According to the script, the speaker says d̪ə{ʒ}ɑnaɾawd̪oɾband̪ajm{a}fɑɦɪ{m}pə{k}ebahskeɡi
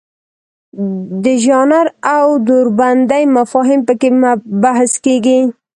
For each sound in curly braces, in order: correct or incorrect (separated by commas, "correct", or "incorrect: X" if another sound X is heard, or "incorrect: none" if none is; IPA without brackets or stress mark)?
correct, correct, correct, correct